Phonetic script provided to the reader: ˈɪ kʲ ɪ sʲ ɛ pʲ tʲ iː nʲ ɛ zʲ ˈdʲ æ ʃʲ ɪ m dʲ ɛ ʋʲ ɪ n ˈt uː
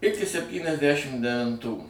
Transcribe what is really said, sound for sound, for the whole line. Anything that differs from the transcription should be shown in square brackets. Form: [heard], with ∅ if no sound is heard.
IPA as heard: ˈɪ kʲ ɪ sʲ ɛ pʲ tʲ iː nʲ ɛ zʲ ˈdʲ æ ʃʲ ɪ m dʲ ɛ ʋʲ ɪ n ˈt uː